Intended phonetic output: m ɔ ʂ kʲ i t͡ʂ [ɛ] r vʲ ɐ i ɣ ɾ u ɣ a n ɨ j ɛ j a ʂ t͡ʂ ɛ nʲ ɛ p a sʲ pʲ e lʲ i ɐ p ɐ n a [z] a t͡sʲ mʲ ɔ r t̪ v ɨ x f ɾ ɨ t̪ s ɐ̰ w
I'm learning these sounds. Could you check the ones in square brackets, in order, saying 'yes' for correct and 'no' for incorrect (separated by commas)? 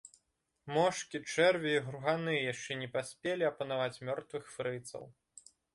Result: yes, no